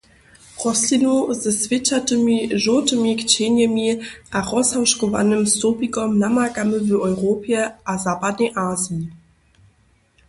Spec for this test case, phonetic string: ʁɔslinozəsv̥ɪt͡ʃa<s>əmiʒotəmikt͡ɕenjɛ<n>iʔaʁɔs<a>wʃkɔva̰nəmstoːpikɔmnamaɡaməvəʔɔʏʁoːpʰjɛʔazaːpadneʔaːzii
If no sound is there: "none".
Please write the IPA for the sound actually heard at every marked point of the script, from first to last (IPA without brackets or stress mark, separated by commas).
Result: t, m, a